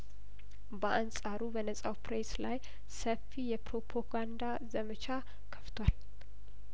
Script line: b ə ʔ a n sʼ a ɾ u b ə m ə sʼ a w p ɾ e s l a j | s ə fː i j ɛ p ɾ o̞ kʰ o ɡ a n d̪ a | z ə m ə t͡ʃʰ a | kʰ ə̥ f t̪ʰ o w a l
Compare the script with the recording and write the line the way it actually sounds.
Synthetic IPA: b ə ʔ a n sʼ a ɾ u b ə n ə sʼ a w p ɾ e s l a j | s ə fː i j ɛ p ɾ o̞ pʰ o ɡ a n d̪ a | z ə m ə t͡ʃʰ a | kʰ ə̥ f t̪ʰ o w a l